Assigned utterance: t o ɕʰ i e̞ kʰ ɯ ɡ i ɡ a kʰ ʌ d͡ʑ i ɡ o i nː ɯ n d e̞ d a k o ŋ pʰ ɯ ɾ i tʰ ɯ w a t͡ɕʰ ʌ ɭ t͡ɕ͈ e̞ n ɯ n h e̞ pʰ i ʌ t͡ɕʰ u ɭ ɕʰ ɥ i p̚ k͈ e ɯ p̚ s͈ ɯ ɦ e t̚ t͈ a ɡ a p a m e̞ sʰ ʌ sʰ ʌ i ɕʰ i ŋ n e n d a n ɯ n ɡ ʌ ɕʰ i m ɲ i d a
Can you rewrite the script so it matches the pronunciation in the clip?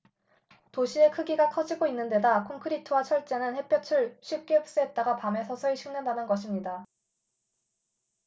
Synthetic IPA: t o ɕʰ i e̞ kʰ ɯ ɡ i ɡ a kʰ ʌ d͡ʑ i ɡ o i nː ɯ n d e̞ d a kʰ o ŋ kʰ ɯ ɾ i tʰ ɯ w a t͡ɕʰ ʌ ɭ t͡ɕ͈ e̞ n ɯ n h e̞ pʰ j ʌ t͡ɕʰ u ɭ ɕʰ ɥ i p̚ k͈ e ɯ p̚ s͈ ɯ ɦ e t̚ t͈ a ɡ a p a m e̞ sʰ ʌ sʰ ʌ i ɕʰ i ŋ n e n d a n ɯ n ɡ ʌ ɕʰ i m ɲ i d a